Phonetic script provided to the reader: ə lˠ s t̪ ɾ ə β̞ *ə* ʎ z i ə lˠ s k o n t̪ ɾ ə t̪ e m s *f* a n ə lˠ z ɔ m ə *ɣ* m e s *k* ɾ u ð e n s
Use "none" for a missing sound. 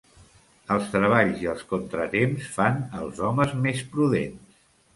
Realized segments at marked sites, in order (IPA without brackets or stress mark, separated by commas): a, f, z, p